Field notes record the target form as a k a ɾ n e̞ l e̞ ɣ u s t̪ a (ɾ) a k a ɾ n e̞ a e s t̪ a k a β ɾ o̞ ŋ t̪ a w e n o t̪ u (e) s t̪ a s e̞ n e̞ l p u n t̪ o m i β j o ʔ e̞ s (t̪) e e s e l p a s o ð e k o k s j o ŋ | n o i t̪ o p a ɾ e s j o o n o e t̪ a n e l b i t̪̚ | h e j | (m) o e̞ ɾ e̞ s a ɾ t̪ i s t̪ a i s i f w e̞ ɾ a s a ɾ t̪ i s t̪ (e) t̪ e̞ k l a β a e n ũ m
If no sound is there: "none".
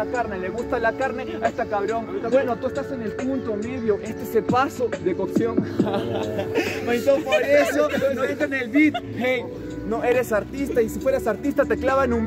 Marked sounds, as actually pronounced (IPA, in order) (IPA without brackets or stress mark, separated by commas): l, e, t̪, n, a